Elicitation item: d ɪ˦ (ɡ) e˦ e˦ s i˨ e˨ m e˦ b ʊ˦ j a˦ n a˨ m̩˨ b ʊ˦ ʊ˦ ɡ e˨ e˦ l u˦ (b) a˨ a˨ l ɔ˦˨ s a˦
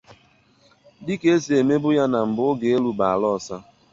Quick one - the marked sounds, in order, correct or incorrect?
incorrect: k, correct

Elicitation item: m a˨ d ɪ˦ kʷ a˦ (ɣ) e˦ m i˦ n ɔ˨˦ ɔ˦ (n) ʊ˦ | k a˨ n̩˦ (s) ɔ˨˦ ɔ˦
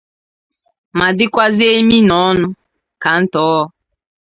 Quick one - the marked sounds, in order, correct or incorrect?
incorrect: z, correct, incorrect: t

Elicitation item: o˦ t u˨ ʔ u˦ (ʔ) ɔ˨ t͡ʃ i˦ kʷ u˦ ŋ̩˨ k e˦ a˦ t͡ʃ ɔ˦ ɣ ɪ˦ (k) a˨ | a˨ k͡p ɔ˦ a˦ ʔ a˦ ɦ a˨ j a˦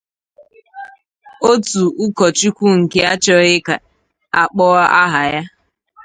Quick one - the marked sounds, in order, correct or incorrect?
incorrect: k, correct

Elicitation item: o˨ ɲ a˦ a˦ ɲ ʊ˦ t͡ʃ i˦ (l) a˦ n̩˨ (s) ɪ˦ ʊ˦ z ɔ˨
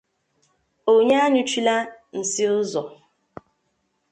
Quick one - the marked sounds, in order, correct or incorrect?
correct, correct

